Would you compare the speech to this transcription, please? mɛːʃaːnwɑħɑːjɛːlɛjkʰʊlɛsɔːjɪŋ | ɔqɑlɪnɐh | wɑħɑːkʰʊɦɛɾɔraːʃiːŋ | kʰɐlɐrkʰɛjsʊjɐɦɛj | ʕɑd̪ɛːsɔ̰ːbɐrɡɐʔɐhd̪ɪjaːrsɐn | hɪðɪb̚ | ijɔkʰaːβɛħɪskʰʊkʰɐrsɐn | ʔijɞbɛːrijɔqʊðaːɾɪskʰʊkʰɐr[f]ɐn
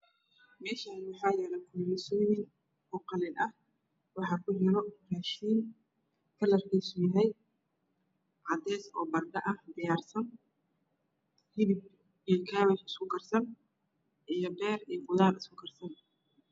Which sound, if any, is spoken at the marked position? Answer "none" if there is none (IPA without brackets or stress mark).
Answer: s